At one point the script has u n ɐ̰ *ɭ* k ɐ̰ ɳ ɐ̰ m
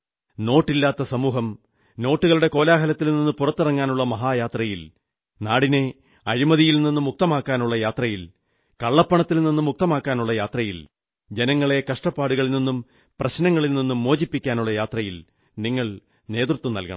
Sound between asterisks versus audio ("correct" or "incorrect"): incorrect